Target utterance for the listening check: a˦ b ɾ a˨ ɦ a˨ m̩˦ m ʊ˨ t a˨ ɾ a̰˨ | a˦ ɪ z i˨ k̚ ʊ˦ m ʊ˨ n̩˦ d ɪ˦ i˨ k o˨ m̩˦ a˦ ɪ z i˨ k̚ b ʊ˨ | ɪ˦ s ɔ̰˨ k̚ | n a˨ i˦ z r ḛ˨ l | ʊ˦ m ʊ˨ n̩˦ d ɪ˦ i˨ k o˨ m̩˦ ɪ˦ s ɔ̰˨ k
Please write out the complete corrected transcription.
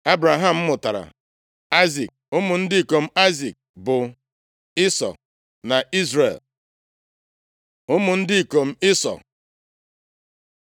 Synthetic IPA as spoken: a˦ b ɾ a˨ ɦ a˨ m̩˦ m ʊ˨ t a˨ ɾ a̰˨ | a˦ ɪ z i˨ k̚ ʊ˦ m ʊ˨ n̩˦ d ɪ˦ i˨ k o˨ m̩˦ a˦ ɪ z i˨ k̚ b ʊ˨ | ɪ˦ s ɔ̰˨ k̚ | n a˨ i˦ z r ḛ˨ l | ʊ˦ m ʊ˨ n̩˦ d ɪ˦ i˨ k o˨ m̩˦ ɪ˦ s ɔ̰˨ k

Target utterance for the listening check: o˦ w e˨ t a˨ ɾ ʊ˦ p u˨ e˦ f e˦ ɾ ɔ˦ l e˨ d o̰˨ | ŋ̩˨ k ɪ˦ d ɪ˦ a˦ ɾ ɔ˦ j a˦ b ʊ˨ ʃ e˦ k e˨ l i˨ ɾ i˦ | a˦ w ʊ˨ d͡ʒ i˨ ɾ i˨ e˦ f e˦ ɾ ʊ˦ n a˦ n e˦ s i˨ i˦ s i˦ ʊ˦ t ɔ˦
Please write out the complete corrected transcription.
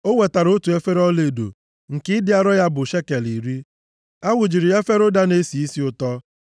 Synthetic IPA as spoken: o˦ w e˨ t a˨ ɾ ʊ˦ t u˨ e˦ f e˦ ɾ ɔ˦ l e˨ d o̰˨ | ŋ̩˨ k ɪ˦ d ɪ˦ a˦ ɾ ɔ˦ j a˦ b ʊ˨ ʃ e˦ k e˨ l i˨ ɾ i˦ | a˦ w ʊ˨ d͡ʒ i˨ ɾ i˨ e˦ f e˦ ɾ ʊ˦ d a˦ n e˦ s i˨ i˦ s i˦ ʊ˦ t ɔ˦

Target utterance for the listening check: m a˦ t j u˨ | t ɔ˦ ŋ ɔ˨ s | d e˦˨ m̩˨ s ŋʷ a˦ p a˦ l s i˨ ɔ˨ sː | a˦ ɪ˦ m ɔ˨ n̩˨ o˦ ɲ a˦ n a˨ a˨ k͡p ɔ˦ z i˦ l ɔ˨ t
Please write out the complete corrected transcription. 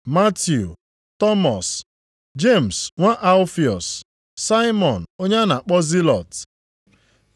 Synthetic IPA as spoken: m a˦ t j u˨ | t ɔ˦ m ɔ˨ s | d͡ʒ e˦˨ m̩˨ s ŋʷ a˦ ʔ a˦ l f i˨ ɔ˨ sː | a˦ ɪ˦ m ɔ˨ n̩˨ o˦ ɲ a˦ n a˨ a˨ k͡p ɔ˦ z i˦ l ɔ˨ t

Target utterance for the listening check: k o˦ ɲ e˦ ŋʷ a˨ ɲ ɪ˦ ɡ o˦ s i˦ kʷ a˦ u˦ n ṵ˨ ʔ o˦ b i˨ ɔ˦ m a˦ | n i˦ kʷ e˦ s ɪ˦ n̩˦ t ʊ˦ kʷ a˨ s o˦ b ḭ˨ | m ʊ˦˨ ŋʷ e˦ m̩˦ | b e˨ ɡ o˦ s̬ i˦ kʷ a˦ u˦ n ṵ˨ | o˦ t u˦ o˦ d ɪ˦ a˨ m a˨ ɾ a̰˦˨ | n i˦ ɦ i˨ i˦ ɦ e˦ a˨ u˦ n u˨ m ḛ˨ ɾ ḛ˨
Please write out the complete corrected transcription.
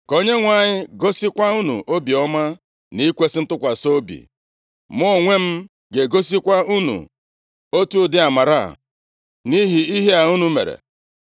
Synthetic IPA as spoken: k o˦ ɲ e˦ ŋʷ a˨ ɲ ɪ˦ ɡ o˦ s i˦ kʷ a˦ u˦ n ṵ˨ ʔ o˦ b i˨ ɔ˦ m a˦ | n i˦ kʷ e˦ s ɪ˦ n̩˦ t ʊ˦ kʷ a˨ s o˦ b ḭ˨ | m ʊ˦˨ ŋʷ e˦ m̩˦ | ɡ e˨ ɡ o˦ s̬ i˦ kʷ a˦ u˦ n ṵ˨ | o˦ t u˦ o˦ d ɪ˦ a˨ m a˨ ɾ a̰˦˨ | n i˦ ɦ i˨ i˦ ɦ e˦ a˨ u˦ n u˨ m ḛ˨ ɾ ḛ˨

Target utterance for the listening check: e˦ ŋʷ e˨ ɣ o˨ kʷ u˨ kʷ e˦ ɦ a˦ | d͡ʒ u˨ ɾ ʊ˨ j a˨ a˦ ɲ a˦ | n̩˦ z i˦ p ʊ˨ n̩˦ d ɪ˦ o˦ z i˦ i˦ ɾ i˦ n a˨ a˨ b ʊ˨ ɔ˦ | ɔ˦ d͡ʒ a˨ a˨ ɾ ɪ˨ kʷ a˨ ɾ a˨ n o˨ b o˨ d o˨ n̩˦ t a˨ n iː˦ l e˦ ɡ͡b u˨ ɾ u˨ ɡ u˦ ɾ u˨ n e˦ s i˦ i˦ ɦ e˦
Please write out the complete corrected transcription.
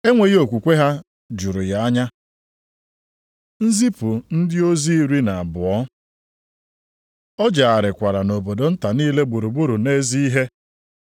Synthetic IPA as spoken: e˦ ŋʷ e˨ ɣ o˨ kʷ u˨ kʷ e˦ ɦ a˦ | d͡ʒ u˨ ɾ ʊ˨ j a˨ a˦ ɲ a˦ | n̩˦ z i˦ p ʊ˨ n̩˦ d ɪ˦ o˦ z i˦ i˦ ɾ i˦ n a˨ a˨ b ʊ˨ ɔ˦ | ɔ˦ d͡ʒ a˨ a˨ ɾ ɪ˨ kʷ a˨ ɾ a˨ n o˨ b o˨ d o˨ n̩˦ t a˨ n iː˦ l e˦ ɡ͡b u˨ ɾ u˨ ɡ͡b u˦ ɾ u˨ n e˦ z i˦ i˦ ɦ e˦

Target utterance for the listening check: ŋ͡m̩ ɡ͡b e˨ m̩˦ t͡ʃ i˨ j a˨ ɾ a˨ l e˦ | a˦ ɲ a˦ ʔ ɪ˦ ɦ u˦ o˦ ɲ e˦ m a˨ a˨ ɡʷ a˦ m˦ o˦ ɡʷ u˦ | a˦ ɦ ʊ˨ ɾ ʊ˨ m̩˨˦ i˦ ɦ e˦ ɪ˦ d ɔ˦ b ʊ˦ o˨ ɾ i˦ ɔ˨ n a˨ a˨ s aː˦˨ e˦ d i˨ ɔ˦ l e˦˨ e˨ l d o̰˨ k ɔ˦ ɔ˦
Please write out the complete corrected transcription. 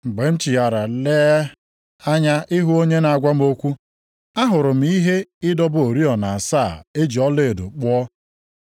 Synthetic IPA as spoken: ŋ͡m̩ ɡ͡b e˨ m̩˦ t͡ʃ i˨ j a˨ ɾ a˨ l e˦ | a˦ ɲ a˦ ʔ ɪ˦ ɦ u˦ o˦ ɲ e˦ n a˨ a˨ ɡʷ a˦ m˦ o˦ kʷ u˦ | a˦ ɦ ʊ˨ ɾ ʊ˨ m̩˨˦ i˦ ɦ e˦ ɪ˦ d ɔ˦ b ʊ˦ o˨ ɾ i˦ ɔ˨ n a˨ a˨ s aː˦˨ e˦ d͡ʒ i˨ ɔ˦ l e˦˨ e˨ d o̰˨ k͡p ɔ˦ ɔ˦

